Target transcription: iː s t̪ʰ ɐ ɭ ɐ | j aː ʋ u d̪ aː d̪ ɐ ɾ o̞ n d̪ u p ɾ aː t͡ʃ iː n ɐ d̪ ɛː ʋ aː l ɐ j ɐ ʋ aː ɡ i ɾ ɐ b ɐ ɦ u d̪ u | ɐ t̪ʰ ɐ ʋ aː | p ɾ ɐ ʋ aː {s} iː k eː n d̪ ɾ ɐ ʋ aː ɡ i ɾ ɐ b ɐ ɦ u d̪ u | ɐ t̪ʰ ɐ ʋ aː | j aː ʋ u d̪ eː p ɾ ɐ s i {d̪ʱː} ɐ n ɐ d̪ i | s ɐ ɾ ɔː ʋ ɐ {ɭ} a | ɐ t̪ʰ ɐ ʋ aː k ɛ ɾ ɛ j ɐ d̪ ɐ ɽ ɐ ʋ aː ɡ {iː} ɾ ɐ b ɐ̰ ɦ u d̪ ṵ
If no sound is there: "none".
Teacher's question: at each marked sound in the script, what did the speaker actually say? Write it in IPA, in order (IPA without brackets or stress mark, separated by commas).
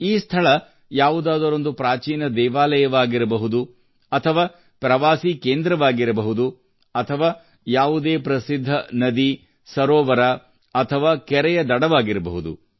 s, d̪ʱː, ɾ, i